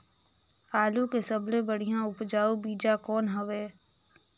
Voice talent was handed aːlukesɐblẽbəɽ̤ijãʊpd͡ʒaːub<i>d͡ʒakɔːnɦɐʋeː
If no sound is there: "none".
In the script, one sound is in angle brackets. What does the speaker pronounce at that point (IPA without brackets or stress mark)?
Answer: iː